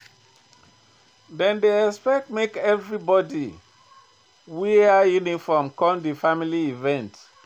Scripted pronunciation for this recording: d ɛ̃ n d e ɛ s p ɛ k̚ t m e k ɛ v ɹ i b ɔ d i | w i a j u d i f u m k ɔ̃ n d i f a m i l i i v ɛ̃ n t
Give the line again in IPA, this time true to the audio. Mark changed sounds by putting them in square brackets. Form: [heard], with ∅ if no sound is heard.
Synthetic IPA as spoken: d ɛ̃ n d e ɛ s p ɛ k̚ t m e k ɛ v ɹ i b ɔ d i | w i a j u [n] i f [ɔ] m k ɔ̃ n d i f a m i l i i v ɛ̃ n t